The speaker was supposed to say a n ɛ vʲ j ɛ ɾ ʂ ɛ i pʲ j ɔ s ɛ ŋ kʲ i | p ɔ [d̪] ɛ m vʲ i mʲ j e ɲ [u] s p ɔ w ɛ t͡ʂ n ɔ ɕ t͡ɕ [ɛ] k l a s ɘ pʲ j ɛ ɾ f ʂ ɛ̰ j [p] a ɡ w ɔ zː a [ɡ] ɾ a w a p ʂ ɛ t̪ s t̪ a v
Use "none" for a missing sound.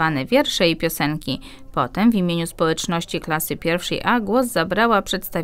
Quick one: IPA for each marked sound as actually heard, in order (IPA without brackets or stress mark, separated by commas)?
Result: t̪, u, i, ʔ, b